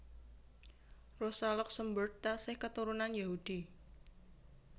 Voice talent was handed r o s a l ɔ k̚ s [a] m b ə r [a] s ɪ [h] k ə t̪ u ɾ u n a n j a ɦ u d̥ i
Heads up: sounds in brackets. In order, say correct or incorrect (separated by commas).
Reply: incorrect, correct, correct